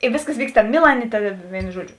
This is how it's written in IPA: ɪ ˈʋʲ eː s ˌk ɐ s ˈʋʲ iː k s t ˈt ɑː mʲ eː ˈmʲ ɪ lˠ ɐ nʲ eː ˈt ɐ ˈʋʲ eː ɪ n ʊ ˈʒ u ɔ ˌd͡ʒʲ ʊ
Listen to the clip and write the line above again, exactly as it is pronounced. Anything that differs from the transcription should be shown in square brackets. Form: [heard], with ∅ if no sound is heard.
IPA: ɪ ˈʋʲ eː s ˌk ɐ s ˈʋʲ iː k s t ˈt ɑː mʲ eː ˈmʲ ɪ lˠ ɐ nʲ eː ˈt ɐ ˈʋʲ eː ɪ n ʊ ˈʒ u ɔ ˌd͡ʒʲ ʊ